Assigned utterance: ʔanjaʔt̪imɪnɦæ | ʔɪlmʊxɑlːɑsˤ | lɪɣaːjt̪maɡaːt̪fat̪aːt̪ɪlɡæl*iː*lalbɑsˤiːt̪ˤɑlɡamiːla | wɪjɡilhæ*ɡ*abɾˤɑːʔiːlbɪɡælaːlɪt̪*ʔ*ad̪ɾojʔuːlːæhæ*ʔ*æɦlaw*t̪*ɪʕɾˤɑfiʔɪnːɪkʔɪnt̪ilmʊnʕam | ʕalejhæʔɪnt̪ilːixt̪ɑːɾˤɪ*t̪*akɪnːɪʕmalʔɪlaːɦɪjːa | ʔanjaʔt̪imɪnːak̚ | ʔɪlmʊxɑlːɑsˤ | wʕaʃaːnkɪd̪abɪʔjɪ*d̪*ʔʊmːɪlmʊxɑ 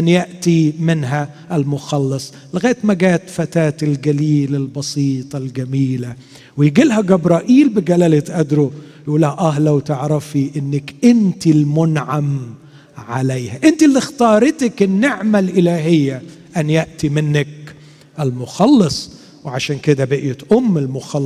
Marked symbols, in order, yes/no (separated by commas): yes, yes, yes, yes, yes, yes, no